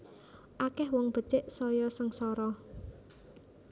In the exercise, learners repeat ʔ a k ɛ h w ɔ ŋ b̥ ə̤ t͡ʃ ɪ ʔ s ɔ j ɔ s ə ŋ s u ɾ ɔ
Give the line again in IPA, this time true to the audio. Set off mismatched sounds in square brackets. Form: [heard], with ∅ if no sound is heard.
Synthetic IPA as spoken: ʔ a k ɛ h w ɔ ŋ b̥ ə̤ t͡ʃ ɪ ʔ s ɔ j ɔ s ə ŋ s [ɔ] ɾ ɔ